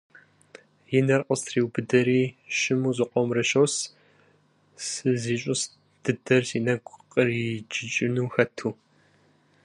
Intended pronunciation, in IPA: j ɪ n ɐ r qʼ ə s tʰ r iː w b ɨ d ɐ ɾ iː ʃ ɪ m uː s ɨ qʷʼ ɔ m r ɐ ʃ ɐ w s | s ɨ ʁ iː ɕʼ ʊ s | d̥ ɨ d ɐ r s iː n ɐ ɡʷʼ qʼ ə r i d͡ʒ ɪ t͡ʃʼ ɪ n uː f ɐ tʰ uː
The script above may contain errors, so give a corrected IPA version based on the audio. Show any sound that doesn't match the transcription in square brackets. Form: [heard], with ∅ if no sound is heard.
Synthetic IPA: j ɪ n ɐ r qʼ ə s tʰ r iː w b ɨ d ɐ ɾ iː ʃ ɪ m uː [z] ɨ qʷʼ ɔ m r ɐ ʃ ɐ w s | s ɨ [z] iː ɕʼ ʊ s | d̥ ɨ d ɐ r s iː n ɐ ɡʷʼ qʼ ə r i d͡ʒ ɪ t͡ʃʼ ɪ n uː [x] ɐ tʰ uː